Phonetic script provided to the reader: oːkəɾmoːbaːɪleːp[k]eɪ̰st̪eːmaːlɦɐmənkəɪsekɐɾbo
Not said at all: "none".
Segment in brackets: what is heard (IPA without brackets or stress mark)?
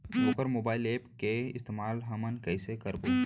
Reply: k